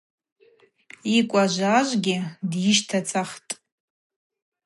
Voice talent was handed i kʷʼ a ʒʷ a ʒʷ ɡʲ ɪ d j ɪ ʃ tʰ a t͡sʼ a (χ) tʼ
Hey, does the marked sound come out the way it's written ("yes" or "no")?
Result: yes